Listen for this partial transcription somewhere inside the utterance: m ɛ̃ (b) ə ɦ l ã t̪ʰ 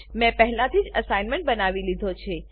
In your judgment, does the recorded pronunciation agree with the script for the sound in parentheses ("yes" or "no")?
no